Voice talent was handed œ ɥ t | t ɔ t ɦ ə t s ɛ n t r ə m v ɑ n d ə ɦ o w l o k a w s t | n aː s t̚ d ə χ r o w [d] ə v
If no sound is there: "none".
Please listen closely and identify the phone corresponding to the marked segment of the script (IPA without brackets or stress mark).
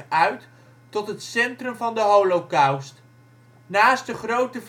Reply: t